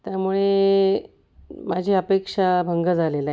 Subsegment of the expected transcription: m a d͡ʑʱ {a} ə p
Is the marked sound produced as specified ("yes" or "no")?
no